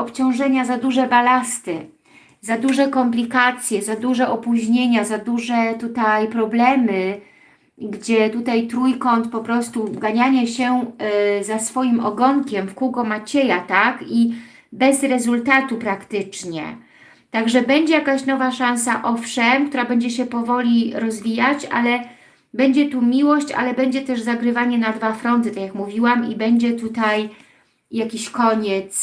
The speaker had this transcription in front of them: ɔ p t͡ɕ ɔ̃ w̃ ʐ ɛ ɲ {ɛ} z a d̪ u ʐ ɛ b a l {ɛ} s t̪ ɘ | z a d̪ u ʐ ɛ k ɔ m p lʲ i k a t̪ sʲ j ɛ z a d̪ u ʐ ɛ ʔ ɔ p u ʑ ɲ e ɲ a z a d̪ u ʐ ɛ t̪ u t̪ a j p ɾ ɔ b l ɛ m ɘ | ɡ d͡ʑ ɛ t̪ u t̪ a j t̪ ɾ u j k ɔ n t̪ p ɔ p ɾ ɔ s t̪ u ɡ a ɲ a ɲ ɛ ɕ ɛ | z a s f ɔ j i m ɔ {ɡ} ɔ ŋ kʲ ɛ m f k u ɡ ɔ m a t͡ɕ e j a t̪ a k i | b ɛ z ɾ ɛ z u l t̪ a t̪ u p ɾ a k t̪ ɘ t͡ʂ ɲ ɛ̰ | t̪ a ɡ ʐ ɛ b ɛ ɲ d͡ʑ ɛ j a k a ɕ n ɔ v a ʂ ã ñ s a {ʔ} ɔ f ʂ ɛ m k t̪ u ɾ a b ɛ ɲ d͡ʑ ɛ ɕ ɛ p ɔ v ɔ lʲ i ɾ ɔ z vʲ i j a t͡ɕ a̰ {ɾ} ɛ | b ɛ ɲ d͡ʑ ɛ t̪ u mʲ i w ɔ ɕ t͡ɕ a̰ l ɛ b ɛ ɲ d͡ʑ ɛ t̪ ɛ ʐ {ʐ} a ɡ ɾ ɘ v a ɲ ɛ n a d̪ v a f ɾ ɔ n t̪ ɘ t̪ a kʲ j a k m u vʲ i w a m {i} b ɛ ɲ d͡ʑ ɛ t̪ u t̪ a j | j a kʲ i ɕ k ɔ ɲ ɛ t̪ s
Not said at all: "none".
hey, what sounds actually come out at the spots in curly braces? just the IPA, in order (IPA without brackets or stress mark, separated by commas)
a, a, ɡ, ʔ, l, z, i